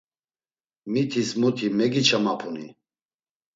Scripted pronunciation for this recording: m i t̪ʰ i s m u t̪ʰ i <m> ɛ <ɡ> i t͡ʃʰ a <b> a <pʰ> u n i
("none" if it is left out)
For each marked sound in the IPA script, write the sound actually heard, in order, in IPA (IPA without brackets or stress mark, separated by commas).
m, ɡ, m, pʰ